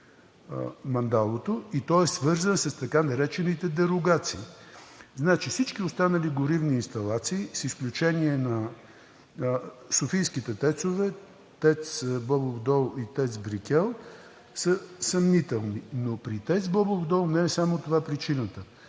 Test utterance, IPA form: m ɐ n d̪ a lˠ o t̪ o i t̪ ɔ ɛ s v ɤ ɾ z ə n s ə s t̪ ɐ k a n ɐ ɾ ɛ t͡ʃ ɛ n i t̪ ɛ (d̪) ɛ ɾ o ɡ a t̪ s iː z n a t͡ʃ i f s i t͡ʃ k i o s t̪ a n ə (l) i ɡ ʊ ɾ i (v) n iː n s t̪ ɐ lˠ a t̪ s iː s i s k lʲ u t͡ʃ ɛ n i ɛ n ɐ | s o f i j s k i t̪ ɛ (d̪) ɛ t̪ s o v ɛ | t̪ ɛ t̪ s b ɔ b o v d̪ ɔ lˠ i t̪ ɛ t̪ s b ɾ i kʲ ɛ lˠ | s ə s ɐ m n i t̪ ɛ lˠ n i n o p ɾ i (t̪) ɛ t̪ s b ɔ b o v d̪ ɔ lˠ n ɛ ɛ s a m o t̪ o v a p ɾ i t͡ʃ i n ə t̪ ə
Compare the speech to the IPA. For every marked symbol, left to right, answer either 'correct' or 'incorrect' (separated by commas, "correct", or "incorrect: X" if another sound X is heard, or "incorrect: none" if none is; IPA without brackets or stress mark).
correct, correct, correct, incorrect: t̪, correct